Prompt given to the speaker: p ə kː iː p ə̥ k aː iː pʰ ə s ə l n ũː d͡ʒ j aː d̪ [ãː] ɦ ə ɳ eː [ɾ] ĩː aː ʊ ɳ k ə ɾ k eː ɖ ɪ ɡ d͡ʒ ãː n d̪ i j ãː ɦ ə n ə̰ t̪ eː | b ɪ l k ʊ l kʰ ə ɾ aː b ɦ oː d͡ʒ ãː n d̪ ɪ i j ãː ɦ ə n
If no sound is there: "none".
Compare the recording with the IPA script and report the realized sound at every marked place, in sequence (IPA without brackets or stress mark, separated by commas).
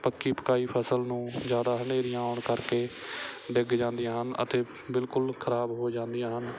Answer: aː, ɾ